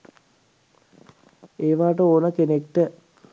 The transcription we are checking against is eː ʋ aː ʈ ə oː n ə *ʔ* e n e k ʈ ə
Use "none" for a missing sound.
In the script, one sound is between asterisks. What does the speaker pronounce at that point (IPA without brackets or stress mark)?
k